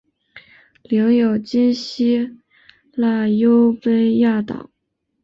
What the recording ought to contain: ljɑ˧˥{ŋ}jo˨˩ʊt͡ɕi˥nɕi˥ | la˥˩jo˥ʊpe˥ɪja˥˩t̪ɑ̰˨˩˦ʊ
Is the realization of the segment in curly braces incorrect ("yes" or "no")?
no